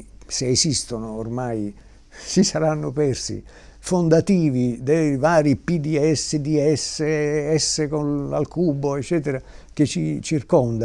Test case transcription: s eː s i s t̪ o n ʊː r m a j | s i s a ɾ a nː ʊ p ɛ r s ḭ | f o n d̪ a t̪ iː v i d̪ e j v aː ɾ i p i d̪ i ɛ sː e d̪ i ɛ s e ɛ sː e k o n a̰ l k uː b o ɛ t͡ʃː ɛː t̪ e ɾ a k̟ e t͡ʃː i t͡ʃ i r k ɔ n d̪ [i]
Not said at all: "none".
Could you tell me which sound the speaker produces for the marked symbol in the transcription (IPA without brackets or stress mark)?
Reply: a